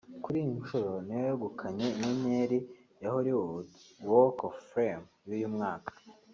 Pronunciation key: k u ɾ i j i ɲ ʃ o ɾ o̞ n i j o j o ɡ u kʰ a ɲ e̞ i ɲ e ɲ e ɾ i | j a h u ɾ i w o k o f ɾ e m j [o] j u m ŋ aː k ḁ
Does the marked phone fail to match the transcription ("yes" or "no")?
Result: yes